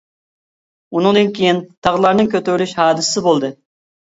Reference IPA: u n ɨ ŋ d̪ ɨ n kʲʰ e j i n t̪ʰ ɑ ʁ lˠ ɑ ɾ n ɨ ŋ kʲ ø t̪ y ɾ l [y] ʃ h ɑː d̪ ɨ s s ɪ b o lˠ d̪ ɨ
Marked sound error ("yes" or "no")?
no